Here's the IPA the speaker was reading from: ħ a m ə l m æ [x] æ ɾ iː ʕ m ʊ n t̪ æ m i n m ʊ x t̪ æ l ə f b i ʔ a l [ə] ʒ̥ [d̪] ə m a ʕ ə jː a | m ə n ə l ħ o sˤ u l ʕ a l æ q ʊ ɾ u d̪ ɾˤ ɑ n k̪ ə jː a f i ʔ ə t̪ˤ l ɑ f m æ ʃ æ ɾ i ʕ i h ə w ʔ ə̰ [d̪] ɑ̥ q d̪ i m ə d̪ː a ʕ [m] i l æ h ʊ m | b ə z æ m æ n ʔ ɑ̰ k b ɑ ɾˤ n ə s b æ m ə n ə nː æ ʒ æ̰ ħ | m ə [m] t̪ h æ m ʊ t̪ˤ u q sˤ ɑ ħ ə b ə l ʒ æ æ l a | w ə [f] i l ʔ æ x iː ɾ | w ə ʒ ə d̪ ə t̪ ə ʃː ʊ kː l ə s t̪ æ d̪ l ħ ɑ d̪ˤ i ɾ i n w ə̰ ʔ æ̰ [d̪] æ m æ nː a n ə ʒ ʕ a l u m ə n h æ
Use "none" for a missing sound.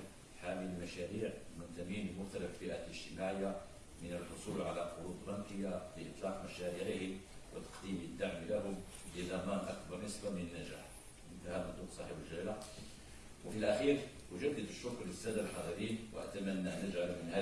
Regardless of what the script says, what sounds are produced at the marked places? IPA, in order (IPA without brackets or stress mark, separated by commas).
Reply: ʃ, ə, t̪, t̪, m, n, f, t̪